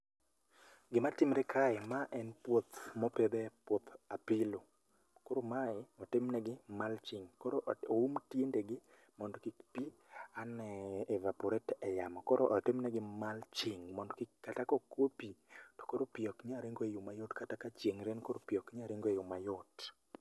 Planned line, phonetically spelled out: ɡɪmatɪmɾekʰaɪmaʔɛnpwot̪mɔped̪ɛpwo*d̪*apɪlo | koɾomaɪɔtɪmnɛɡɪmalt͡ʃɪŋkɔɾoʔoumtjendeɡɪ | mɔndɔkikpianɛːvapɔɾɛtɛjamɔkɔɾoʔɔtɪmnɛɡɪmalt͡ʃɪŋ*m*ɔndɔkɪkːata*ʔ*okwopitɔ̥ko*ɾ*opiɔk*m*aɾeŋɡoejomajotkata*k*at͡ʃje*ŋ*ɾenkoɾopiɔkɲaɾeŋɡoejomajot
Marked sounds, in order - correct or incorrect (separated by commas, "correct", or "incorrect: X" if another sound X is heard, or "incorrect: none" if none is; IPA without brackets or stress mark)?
incorrect: t̪, correct, incorrect: k, correct, incorrect: ɲ, correct, correct